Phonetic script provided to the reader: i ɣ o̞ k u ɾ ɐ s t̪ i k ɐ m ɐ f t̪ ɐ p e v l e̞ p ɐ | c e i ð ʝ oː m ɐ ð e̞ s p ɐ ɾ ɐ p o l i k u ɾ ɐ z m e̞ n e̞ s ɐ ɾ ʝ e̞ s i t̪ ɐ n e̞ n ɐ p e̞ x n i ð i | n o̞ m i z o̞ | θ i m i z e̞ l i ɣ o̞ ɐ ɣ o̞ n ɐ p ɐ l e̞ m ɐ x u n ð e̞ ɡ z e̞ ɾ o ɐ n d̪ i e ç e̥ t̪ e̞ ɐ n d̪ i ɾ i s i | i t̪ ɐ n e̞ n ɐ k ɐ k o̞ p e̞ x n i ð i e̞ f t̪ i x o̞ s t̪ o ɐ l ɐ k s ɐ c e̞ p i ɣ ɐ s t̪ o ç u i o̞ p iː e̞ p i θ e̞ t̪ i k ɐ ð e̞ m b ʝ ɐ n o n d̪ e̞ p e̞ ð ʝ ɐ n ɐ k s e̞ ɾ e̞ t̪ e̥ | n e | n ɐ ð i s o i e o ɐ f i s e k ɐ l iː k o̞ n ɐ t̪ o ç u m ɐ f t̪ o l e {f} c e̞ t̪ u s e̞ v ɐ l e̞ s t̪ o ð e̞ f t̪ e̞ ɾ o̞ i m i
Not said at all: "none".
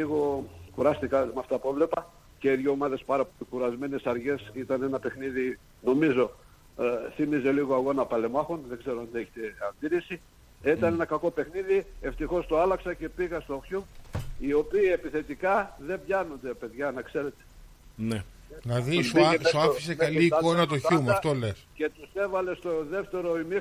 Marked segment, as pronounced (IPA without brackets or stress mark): s